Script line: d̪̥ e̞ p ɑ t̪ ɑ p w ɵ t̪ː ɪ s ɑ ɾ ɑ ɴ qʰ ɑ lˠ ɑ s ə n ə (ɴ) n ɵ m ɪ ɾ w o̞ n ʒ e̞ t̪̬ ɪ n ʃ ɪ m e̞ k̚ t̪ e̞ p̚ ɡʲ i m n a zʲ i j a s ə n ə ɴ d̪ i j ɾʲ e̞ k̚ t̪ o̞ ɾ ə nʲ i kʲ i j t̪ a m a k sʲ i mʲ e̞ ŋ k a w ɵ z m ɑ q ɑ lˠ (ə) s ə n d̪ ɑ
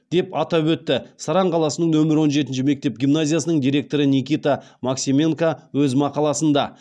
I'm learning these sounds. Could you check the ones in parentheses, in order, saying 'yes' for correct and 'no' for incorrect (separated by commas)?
yes, no